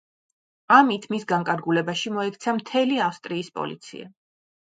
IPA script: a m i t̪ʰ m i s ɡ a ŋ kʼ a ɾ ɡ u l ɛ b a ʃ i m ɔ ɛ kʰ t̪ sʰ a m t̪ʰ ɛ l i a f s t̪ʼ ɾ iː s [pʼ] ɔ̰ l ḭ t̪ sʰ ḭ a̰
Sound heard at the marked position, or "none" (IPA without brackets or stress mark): pʼ